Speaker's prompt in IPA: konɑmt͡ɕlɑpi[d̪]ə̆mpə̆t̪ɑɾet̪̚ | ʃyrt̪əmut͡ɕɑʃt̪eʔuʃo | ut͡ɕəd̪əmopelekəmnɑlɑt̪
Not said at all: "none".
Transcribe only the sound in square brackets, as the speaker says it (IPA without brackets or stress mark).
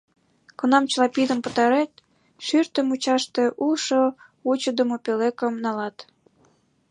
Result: d̪